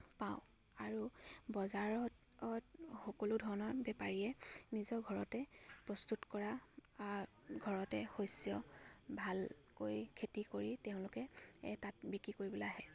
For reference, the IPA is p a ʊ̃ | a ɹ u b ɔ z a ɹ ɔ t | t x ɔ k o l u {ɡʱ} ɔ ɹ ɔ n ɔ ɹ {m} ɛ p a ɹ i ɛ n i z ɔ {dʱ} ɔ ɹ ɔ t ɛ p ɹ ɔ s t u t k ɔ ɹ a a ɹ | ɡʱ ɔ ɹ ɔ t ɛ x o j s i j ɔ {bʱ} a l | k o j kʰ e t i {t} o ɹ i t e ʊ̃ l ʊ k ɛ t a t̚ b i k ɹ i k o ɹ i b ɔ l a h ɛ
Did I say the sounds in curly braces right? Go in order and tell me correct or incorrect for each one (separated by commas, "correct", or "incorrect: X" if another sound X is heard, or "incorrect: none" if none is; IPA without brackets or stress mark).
incorrect: dʱ, incorrect: b, incorrect: ɡʱ, correct, incorrect: k